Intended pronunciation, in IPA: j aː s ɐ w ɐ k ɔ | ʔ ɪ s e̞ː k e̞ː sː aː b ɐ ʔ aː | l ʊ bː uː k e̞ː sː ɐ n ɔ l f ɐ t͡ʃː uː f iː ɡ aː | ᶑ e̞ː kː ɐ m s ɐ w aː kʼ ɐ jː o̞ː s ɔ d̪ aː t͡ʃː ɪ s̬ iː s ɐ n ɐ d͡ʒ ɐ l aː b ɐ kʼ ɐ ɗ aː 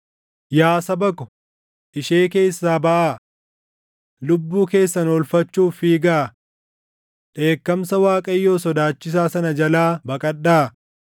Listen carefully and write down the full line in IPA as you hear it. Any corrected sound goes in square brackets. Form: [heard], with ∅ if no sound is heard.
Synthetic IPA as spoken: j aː s ɐ [b] ɐ k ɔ | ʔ ɪ [ʃ] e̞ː k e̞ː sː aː b ɐ ʔ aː | l ʊ bː uː k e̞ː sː ɐ n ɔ l f ɐ t͡ʃː uː f iː ɡ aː | ᶑ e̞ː kː ɐ m s ɐ w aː kʼ ɐ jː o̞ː s ɔ d̪ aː t͡ʃː ɪ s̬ [aː] s ɐ n ɐ d͡ʒ ɐ l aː b ɐ kʼ ɐ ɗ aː

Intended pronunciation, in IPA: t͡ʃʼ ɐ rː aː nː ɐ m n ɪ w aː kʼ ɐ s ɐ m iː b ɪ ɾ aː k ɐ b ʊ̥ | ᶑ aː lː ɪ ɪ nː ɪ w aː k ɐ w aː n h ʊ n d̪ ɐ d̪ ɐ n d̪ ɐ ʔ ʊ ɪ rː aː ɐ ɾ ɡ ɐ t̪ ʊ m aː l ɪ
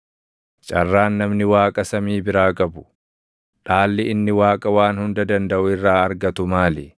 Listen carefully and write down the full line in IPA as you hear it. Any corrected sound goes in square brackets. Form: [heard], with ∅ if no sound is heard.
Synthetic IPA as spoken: t͡ʃʼ ɐ rː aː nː ɐ m n ɪ w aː kʼ ɐ s ɐ m iː b ɪ ɾ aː [kʼ] ɐ b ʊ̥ | ᶑ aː lː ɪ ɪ nː ɪ w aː [kʼ] ɐ w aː n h ʊ n d̪ ɐ d̪ ɐ n d̪ ɐ ʔ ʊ ɪ rː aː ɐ ɾ ɡ ɐ t̪ ʊ m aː l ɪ

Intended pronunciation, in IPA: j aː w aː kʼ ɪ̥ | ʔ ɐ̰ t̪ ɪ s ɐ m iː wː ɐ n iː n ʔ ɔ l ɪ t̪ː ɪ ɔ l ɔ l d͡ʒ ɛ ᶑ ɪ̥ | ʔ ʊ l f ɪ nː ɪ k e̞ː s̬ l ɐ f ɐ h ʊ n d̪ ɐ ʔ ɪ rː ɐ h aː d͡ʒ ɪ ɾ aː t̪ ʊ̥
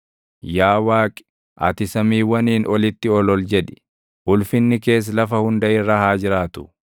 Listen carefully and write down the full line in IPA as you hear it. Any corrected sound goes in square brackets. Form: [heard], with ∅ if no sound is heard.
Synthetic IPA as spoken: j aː w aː kʼ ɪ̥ | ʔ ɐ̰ t̪ ɪ s ɐ m iː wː ɐ n iː n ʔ ɔ l ɪ t̪ː ɪ ɔ l ɔ l d͡ʒ ɛ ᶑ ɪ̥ | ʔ ʊ l f ɪ nː ɪ k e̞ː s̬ l ɐ f ɐ h ʊ n d̪ ɐ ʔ ɪ rː ɐ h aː d͡ʒ ɪ ɾ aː t̪ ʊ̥

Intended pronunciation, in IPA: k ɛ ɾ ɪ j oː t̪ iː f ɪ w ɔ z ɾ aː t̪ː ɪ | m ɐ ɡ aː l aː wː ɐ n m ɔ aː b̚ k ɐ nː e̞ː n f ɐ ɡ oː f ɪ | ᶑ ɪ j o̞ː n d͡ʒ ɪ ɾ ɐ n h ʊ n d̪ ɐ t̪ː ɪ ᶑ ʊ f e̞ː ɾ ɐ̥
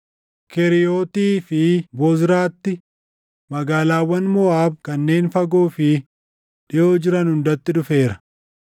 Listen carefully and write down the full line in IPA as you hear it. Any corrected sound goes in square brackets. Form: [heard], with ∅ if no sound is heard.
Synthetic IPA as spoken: k ɛ ɾ ɪ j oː t̪ iː f ɪ [b] ɔ z ɾ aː t̪ː ɪ | m ɐ ɡ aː l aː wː ɐ n m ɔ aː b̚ k ɐ nː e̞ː n f ɐ ɡ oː f ɪ | ᶑ ɪ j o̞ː [∅] d͡ʒ ɪ ɾ ɐ n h ʊ n d̪ ɐ t̪ː ɪ ᶑ ʊ f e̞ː ɾ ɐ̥

